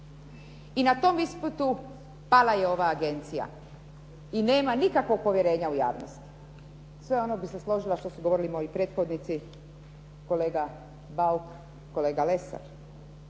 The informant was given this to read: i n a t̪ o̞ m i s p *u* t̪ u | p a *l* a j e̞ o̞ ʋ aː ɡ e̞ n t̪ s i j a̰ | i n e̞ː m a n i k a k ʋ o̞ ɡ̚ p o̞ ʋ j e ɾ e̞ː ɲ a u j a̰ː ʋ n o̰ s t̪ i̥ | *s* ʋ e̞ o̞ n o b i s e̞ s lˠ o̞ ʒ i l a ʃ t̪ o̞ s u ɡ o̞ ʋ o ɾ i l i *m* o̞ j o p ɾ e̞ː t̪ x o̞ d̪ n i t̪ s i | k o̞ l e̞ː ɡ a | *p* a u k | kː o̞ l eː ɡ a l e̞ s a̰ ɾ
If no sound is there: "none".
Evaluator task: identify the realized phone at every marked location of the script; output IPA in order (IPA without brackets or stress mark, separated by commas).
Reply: u, l, s, m, b